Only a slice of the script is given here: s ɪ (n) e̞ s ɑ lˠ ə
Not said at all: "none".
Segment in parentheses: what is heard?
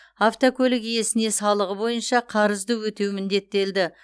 n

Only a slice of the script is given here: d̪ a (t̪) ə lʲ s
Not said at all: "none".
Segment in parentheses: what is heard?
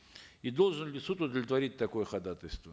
t̪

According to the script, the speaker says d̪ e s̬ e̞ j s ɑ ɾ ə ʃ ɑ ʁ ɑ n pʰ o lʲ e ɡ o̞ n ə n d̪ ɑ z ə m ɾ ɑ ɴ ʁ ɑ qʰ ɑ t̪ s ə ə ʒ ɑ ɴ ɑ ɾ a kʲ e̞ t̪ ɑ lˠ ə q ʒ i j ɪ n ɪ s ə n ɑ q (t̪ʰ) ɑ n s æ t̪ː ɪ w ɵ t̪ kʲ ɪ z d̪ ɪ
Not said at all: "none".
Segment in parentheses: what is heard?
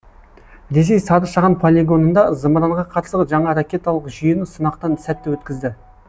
t̪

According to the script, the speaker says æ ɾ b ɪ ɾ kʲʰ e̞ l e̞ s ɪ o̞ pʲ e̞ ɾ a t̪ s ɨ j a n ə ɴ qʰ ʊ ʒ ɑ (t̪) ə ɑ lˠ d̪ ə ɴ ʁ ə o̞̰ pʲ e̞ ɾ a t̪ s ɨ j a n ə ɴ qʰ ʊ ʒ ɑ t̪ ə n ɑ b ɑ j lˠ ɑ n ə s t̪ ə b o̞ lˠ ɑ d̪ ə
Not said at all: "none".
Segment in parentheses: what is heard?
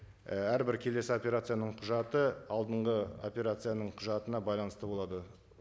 t̪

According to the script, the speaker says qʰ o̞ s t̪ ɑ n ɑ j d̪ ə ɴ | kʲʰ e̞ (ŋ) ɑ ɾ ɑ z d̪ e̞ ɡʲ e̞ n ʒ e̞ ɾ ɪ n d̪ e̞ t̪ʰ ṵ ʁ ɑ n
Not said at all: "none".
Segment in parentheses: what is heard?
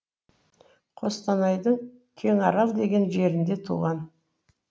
ŋ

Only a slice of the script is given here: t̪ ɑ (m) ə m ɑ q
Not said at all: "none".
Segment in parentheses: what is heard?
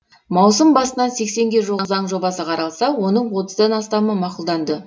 m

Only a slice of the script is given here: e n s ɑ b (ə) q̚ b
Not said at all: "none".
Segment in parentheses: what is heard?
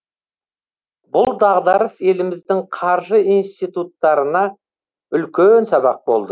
ɑ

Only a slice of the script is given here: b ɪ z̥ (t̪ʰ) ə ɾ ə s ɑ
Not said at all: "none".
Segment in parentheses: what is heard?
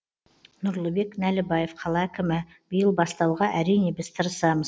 t̪ʰ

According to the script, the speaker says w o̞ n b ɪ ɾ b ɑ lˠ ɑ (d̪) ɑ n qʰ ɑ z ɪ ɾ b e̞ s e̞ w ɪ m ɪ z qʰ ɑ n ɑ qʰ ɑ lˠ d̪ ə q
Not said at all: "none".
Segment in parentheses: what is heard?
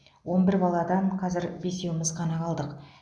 d̪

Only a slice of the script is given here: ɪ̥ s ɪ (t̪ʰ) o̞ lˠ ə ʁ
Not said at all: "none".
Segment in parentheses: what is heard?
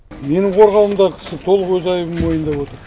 t̪ʰ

